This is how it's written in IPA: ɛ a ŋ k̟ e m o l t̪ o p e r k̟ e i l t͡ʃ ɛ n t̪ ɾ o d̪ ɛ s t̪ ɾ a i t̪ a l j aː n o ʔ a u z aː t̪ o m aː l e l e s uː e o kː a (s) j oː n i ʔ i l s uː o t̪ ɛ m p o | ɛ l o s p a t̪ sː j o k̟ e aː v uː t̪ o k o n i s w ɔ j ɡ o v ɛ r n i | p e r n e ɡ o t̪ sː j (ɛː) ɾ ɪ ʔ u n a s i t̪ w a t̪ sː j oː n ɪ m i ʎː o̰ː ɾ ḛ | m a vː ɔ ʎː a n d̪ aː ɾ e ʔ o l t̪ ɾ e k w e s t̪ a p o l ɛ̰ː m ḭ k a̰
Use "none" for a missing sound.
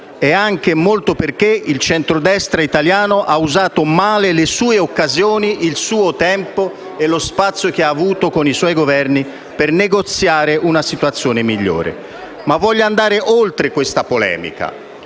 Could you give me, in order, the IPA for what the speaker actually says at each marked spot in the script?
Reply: z, aː

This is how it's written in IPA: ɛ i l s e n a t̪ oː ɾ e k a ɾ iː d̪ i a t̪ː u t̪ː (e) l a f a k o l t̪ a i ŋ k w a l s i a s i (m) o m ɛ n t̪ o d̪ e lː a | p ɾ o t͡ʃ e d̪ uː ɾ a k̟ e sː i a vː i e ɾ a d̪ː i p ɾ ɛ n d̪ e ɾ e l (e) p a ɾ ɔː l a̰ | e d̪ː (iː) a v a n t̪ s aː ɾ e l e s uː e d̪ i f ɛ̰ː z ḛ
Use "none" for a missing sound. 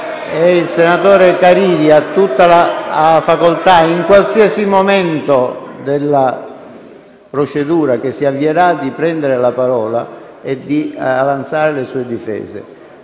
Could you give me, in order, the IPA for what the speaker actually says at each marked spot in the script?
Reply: a, m, a, i

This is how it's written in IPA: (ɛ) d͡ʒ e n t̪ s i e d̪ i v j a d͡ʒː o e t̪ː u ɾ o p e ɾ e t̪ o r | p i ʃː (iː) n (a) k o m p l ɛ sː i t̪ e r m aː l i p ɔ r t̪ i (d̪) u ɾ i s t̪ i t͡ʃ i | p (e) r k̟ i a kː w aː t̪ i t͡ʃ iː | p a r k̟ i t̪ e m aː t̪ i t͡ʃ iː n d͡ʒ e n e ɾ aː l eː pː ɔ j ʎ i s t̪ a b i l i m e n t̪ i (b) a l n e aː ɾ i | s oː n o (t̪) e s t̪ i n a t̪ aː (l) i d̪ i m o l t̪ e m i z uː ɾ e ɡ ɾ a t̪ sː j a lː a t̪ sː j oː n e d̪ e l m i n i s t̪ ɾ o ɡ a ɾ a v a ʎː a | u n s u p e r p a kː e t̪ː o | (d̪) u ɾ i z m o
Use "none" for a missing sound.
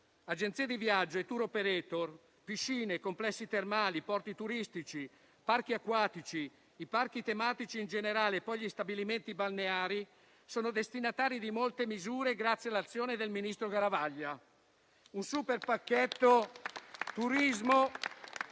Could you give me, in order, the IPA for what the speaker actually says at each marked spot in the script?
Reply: a, iː, e, t̪, a, b, d̪, ɾ, t̪

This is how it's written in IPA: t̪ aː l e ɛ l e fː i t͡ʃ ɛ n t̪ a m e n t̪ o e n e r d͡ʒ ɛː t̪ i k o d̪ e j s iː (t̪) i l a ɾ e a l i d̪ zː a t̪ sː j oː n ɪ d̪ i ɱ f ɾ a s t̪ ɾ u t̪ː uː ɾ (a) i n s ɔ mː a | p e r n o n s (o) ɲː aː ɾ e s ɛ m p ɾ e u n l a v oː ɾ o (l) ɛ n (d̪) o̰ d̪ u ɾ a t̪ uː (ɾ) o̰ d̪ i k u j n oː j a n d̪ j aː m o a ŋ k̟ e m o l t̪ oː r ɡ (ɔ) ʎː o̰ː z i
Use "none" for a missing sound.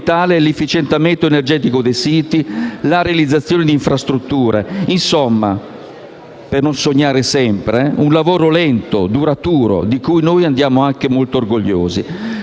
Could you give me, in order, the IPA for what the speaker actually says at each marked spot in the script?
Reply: t̪, e, o, l, t̪, ɾ, o

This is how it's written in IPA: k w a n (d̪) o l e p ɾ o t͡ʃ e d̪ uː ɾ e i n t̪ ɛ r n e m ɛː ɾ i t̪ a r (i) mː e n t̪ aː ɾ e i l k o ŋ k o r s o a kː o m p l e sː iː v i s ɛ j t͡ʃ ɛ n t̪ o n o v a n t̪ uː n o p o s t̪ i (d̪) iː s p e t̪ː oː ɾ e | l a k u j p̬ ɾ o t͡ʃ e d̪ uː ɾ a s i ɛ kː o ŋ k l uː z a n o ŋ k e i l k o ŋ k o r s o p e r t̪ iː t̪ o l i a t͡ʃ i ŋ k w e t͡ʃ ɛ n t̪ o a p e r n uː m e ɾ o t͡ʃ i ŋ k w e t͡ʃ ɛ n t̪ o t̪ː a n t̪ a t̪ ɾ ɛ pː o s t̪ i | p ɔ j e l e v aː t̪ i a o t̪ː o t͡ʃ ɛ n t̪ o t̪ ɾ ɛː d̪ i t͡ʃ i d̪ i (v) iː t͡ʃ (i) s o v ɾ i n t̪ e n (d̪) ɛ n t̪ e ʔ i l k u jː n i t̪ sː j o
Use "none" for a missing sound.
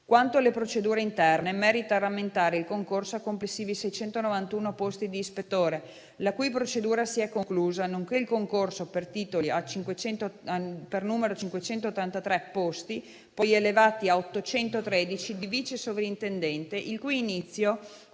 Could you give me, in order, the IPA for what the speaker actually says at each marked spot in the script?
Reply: t̪, a, d̪, v, e, d̪

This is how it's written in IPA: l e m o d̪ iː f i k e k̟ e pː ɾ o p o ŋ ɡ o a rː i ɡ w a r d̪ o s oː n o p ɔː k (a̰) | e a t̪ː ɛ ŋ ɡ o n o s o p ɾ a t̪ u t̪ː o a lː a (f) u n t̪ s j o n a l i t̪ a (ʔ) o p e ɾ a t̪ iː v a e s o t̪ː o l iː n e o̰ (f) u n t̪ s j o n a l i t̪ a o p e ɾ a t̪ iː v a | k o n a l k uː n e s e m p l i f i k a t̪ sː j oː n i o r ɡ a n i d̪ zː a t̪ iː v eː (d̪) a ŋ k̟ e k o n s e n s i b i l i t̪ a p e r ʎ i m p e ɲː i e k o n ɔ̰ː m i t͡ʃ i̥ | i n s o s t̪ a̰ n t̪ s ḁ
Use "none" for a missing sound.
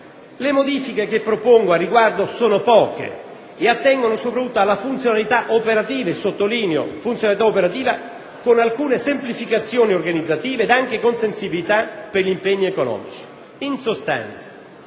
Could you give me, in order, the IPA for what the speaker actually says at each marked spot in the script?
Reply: ḛ, f, ʔ, f, d̪

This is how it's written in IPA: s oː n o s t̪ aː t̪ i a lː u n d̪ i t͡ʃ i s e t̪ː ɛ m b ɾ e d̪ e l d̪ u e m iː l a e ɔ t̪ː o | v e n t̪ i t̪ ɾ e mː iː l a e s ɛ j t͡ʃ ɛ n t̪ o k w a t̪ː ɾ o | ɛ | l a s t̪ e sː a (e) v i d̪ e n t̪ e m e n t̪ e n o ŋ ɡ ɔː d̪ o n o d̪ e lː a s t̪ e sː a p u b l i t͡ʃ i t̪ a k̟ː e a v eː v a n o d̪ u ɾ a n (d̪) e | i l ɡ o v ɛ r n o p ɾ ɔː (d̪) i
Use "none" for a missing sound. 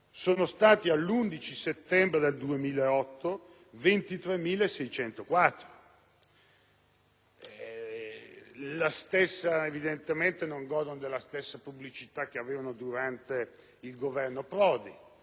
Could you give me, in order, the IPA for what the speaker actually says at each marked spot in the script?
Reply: e, t̪, d̪

